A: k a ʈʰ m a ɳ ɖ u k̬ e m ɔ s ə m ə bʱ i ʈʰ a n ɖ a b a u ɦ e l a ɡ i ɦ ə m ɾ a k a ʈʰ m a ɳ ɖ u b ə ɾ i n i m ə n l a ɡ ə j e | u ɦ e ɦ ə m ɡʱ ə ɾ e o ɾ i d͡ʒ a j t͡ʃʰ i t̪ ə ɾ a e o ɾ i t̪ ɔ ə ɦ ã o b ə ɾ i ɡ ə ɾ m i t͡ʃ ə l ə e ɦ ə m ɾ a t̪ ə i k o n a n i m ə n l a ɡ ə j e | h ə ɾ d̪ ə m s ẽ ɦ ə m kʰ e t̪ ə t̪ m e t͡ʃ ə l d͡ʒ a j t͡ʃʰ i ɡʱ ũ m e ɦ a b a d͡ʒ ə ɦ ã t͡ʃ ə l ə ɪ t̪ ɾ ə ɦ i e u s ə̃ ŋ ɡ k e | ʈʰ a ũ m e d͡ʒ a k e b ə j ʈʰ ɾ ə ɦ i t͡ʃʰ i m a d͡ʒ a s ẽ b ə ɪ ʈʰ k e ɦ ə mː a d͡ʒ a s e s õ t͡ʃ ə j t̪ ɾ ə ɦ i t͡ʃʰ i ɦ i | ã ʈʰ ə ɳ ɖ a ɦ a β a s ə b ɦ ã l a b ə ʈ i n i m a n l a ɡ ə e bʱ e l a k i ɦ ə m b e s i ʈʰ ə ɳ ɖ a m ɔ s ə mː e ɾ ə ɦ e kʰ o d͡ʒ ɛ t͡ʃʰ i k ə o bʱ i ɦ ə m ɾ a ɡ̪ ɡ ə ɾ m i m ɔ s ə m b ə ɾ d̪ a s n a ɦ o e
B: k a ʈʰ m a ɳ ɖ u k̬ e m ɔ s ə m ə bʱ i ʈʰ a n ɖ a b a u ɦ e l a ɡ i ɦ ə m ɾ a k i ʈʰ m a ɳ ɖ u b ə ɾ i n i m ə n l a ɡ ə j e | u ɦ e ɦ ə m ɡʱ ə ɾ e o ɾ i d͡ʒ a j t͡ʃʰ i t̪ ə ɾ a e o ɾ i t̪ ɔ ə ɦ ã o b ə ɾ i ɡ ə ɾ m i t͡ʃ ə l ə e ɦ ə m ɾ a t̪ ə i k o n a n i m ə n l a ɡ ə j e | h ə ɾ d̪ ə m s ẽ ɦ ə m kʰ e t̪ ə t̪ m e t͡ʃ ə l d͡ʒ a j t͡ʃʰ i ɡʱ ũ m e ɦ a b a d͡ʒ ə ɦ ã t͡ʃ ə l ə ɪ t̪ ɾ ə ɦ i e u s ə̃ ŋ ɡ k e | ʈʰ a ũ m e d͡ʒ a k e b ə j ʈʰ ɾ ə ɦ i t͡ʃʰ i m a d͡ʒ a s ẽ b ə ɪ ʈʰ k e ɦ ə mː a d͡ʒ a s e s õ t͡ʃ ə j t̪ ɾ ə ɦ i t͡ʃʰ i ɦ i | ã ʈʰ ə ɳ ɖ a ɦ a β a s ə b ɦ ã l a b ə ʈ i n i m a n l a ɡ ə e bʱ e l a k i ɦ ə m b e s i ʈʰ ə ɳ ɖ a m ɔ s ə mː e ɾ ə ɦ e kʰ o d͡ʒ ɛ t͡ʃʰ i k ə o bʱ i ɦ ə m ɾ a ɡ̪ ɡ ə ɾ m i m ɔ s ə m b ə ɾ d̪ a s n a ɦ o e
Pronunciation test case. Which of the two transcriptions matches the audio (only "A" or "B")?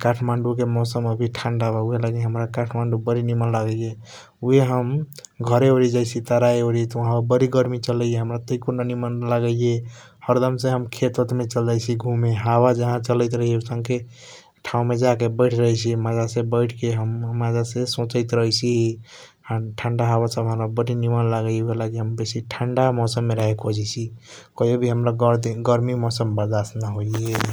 A